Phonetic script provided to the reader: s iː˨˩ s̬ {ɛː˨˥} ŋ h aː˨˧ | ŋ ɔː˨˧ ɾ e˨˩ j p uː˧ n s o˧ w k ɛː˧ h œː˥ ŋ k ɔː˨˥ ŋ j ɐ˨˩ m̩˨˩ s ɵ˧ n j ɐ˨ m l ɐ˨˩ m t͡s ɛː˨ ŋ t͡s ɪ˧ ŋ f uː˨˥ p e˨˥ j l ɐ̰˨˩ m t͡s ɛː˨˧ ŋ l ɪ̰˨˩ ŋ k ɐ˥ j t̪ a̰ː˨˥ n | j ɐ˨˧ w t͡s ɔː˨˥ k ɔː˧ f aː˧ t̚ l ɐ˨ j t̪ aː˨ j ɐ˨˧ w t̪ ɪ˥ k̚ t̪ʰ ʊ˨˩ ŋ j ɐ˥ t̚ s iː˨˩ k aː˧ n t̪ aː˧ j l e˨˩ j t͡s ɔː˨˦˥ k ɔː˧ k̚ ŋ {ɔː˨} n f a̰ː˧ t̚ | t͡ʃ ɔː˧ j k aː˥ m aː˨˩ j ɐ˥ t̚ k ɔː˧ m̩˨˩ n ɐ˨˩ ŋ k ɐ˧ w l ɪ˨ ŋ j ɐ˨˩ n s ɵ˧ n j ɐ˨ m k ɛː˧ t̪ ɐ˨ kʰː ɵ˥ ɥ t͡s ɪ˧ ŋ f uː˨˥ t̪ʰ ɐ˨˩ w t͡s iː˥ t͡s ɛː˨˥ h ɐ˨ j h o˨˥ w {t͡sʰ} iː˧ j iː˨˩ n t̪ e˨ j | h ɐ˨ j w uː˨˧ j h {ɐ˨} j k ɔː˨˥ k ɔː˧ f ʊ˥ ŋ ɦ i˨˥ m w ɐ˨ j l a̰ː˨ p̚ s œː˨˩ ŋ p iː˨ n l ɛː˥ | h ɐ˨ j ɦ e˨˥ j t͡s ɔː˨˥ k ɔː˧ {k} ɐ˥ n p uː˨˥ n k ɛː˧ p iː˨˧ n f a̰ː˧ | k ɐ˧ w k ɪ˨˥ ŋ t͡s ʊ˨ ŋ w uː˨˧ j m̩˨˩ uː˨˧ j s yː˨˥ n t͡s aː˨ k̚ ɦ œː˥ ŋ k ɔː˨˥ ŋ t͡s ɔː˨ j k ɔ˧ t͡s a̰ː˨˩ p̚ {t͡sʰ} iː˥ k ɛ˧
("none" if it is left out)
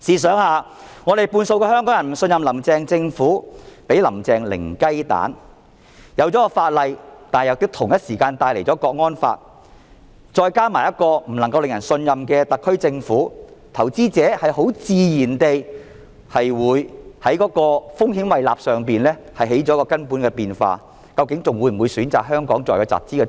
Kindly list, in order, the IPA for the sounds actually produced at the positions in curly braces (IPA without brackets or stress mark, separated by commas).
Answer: œː˨˥, ɔː˥, t͡s, ɐ˨˥, k, t͡s